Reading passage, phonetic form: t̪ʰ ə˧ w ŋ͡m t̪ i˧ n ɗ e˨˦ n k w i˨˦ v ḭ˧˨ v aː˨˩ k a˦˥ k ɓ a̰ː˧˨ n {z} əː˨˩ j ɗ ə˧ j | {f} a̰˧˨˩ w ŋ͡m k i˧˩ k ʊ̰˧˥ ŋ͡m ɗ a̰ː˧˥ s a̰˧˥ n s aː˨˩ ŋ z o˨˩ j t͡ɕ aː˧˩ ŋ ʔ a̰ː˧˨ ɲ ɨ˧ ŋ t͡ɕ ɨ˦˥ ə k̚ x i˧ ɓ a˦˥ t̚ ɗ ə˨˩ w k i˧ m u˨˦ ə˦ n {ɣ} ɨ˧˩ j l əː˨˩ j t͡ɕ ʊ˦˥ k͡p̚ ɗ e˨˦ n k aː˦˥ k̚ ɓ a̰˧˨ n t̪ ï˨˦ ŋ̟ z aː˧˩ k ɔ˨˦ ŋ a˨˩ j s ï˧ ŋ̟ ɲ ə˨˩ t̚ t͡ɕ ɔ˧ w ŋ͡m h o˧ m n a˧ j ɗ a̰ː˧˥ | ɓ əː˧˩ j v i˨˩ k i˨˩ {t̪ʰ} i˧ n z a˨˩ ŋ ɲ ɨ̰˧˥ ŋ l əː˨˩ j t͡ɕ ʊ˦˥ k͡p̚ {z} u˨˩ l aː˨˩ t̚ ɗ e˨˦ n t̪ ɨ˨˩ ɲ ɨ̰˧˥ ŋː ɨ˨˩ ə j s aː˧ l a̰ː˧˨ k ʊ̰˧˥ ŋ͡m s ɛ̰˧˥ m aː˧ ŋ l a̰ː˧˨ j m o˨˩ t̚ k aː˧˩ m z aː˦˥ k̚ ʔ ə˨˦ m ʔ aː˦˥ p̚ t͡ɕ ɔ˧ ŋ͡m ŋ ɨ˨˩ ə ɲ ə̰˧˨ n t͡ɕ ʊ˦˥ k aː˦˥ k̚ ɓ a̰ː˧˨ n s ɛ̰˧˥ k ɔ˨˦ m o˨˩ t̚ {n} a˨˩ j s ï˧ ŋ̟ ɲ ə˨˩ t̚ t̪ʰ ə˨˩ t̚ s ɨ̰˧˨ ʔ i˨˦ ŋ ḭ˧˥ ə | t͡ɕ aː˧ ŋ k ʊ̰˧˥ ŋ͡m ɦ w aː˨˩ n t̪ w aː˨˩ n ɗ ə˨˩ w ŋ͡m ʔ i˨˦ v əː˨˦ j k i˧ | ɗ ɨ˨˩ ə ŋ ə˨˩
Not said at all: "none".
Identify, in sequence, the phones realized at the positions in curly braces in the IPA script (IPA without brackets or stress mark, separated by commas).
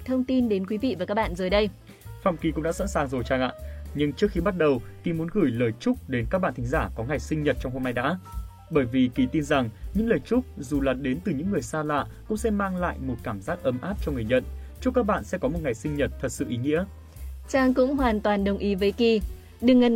z, f, ɣ, t̪, z, ŋ